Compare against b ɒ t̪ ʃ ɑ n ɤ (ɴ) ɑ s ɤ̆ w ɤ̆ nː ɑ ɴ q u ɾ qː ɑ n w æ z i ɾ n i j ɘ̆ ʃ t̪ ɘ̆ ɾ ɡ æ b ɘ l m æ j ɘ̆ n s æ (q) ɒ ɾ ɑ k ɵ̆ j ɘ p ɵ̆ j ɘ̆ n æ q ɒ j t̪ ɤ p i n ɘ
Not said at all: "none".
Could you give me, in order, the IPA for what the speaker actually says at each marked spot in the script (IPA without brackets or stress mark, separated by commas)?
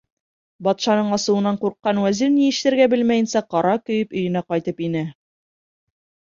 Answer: ɴ, q